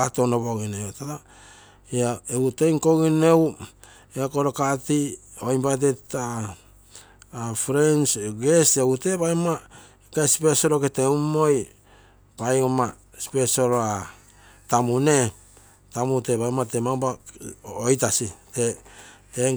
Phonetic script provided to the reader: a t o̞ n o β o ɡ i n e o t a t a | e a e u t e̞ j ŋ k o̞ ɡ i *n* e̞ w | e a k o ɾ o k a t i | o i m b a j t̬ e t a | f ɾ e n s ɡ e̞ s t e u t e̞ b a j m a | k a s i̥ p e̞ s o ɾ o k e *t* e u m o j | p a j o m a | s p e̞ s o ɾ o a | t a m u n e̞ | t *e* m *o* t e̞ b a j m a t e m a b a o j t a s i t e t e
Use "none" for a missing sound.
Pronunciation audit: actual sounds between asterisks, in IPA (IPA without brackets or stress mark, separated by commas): n, t, a, u